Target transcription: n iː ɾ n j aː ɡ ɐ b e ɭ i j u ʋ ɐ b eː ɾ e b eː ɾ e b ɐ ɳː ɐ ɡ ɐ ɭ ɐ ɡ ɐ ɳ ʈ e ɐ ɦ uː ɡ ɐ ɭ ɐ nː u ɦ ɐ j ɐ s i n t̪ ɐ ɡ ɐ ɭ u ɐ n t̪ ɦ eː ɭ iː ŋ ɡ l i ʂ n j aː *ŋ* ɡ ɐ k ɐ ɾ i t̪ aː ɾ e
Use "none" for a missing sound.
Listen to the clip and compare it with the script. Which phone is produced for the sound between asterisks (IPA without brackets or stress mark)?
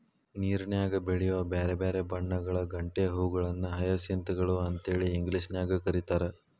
none